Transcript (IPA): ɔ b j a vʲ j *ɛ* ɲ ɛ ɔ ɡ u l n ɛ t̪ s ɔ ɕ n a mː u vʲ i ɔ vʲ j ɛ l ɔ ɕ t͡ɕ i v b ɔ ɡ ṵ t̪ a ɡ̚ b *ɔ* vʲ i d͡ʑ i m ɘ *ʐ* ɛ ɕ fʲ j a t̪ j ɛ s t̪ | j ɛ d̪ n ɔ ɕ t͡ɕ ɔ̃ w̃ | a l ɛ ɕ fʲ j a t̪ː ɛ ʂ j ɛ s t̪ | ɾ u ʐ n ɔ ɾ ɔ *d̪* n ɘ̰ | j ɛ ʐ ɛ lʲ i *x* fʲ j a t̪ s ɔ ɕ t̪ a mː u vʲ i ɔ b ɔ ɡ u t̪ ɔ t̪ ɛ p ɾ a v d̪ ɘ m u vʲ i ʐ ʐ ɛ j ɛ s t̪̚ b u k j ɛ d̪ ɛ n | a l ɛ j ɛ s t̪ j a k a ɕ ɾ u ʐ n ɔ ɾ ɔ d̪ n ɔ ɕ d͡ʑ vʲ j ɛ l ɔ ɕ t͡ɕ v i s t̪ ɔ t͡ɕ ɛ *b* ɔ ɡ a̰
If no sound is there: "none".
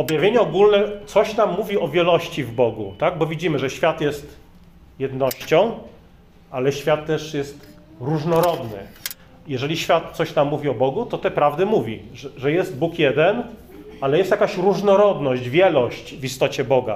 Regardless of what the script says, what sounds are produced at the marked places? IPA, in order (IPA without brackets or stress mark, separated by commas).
e, ɔ, ʐ, d̪, ɕ, b